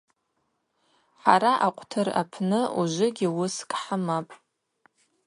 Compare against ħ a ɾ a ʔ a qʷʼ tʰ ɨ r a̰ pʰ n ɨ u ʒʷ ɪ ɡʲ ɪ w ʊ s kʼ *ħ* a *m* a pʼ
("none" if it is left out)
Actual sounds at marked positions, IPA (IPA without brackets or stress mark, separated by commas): ħ, m